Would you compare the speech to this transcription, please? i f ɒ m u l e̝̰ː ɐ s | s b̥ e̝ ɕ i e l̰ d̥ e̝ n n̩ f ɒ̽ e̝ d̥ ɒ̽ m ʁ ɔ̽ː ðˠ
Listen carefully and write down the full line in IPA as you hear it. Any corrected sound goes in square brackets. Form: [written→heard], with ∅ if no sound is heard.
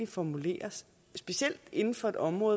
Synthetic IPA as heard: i f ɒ m u l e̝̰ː ɐ s | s b̥ e̝ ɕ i e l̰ d̥ e̝ n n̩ f ɒ̽ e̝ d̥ ɒ̽ m ʁ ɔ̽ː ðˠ